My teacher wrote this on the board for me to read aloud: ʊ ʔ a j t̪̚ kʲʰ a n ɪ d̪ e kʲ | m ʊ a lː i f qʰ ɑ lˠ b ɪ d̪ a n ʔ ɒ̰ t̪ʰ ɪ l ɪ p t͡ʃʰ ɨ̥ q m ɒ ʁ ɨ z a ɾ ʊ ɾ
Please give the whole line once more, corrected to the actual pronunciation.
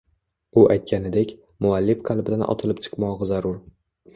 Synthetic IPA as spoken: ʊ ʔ a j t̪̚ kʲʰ a n ɪ d̪ e kʲ | m ʊ a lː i f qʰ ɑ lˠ b ɪ d̪ a n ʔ ɒ̰ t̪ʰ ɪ l ɪ p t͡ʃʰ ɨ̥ q m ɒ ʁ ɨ z a ɾ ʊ ɾ